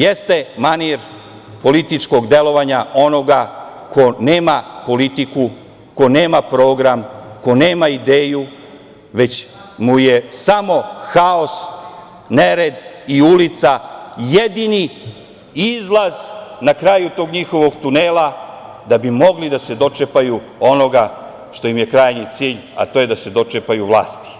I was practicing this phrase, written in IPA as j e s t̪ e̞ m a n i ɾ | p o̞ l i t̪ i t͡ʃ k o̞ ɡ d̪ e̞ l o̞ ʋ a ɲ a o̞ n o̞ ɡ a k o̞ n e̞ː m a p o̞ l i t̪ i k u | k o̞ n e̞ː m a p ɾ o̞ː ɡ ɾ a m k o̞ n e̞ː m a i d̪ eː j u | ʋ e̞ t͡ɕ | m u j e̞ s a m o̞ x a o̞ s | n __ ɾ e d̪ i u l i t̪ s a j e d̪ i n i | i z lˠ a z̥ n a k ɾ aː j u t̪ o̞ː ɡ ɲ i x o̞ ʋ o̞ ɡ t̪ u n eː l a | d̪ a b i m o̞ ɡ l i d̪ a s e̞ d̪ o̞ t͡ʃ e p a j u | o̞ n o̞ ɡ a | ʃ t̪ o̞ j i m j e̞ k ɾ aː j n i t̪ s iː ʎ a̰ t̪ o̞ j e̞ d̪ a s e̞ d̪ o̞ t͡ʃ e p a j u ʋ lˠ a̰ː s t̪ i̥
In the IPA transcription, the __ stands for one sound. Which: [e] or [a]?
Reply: e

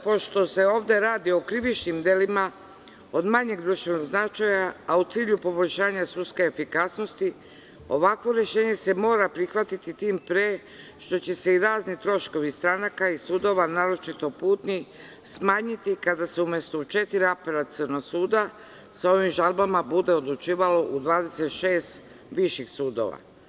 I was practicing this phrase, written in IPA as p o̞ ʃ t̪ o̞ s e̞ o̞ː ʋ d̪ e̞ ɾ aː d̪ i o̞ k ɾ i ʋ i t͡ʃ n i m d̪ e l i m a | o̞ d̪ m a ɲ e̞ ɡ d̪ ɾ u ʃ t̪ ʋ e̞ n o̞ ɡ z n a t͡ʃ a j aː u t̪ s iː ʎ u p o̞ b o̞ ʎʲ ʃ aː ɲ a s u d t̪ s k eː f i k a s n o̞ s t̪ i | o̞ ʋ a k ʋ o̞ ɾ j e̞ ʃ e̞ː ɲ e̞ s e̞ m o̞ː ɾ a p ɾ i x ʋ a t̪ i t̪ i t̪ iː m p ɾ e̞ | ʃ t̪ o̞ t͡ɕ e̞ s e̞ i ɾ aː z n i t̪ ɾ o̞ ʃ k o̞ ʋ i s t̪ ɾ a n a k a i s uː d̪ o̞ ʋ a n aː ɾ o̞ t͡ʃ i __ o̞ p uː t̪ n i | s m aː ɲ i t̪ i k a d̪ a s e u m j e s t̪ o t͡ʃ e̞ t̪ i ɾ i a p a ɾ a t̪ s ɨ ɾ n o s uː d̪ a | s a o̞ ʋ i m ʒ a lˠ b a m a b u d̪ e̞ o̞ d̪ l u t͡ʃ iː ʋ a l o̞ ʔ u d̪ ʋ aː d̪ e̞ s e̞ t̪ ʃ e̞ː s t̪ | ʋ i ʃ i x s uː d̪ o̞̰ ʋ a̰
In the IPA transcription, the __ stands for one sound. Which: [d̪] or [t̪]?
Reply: t̪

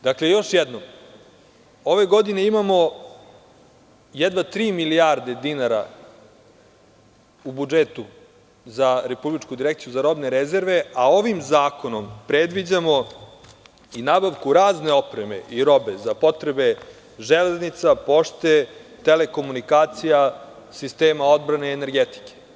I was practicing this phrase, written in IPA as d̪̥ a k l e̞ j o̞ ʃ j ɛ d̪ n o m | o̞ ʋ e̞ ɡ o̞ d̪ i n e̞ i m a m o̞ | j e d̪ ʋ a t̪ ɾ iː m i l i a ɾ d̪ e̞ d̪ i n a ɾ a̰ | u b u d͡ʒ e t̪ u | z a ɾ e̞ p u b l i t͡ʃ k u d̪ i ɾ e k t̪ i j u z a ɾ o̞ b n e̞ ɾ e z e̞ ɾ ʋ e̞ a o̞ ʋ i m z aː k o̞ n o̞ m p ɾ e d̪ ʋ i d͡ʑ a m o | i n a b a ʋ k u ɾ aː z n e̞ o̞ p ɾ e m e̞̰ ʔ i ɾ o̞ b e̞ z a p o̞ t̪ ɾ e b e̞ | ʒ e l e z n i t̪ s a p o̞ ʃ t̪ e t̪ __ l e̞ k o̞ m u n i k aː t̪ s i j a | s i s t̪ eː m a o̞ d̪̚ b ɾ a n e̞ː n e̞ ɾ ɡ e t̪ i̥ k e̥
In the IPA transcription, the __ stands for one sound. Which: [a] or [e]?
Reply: e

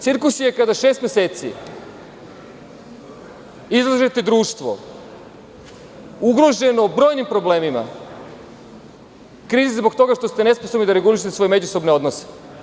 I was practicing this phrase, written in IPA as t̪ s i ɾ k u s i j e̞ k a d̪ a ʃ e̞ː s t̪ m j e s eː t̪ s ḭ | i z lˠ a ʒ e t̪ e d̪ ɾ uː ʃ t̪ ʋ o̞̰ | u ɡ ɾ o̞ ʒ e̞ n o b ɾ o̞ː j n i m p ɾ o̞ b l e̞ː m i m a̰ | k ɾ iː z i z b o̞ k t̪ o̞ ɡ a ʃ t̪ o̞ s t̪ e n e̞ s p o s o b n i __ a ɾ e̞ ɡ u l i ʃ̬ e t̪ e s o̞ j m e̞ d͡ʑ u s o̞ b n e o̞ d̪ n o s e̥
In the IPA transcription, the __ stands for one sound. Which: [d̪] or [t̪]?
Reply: d̪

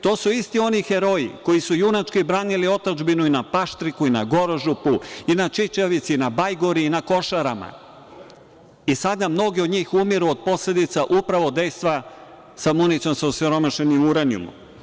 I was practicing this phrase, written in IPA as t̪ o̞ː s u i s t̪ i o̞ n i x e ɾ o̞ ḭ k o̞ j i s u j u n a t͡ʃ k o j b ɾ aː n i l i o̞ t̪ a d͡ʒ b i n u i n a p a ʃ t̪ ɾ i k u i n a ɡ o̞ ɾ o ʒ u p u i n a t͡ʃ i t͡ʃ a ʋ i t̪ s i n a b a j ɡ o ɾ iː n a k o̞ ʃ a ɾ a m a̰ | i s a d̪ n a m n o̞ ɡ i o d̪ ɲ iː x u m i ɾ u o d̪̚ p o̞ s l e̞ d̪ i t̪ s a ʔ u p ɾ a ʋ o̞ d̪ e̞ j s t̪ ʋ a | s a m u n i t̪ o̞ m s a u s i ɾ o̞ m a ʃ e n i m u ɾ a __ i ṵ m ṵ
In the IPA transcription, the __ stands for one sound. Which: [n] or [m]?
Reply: n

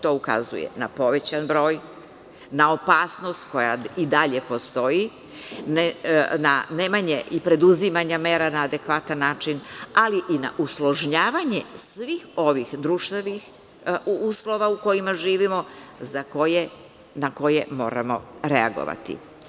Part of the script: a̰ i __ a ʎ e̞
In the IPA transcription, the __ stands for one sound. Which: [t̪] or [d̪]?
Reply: d̪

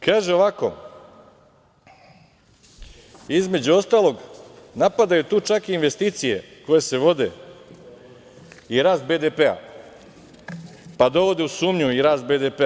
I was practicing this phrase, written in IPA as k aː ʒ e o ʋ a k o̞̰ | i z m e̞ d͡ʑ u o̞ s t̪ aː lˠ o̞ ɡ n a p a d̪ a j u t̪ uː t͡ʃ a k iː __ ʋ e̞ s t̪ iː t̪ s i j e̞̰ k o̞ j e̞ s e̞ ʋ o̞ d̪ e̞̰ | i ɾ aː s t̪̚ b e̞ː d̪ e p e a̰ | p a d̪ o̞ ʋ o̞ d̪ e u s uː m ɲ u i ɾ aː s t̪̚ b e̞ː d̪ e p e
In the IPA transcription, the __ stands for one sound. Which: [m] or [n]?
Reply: n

